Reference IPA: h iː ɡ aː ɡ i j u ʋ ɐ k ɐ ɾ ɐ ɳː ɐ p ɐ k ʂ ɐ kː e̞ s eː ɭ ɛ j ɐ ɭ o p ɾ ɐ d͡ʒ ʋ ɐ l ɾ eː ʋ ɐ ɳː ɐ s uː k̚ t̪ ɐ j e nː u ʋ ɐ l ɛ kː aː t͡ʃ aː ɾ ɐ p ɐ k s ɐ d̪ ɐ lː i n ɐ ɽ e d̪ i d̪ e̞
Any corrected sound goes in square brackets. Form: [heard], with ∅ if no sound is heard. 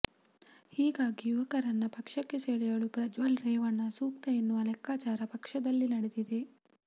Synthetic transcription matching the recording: h iː ɡ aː ɡ i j u ʋ ɐ k ɐ ɾ ɐ [nː] ɐ p ɐ k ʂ ɐ kː e̞ s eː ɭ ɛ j ɐ ɭ [u] p ɾ ɐ d͡ʒ ʋ ɐ l ɾ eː ʋ ɐ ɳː ɐ s uː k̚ t̪ ɐ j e nː u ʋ ɐ l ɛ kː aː t͡ʃ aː ɾ ɐ p ɐ k [ʂ] ɐ d̪ ɐ lː i n ɐ ɽ e d̪ i d̪ e̞